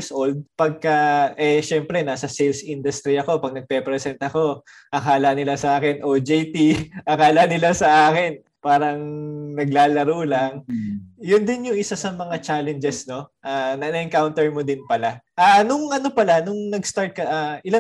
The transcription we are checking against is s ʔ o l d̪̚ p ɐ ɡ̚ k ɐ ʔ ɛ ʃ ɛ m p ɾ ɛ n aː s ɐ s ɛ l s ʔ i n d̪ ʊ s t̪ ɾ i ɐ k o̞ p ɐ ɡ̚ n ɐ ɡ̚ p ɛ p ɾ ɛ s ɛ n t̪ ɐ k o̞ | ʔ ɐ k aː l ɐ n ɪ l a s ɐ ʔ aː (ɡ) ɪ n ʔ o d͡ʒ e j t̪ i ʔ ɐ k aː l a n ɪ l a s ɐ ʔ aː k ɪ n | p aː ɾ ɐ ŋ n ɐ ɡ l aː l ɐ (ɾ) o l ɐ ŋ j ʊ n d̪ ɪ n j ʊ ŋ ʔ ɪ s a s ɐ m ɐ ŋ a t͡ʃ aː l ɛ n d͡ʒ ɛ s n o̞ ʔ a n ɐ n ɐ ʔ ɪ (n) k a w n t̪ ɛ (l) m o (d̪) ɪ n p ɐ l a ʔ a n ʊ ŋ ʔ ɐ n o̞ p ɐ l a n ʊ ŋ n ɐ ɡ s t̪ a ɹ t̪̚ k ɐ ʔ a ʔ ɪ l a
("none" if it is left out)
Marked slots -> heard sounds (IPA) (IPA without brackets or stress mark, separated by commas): k, ɾ, ŋ, ɹ, d̪